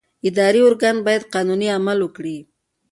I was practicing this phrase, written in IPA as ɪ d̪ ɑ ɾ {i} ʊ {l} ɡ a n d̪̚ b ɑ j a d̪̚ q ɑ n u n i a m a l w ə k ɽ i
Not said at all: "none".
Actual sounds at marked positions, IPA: i, ɾ

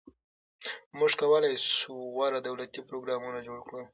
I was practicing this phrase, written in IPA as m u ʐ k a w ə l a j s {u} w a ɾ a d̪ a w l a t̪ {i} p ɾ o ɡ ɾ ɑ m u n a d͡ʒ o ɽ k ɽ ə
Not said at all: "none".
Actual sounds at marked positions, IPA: u, i

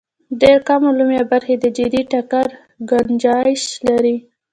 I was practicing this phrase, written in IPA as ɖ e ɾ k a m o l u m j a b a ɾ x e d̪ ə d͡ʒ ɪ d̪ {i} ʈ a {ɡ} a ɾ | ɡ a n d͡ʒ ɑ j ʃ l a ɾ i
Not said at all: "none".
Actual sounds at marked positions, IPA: i, k

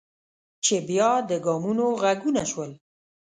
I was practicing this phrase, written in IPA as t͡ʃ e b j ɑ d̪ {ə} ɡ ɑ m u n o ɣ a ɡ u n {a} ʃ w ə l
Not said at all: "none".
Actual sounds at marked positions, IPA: ə, a

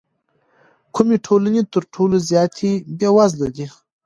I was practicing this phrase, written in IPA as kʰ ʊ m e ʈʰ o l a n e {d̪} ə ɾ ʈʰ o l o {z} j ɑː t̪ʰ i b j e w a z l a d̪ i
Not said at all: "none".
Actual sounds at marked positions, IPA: t̪, z

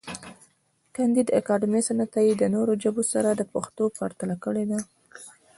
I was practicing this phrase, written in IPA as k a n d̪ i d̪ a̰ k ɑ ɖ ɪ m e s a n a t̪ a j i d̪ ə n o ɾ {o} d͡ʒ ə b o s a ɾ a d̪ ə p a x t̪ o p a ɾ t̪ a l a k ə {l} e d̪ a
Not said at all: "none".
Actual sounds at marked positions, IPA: o, ɽ

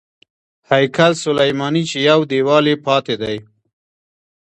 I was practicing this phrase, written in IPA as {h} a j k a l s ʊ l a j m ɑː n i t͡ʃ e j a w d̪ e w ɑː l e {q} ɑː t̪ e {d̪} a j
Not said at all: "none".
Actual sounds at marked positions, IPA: h, p, d̪

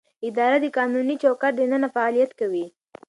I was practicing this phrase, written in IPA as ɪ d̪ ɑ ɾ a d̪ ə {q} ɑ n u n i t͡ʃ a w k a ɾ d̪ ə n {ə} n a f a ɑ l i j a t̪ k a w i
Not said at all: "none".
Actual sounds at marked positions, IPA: k, ə

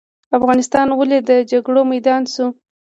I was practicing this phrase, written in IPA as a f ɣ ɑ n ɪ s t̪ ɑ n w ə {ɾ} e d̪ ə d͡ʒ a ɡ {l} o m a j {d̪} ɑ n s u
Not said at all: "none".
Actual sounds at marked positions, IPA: l, ɽ, d̪

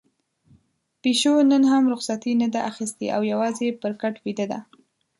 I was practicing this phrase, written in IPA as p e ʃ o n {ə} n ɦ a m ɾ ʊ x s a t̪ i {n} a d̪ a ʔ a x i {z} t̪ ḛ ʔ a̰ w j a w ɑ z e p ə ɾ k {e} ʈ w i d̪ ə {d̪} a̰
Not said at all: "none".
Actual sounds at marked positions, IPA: ə, n, s, a, d̪

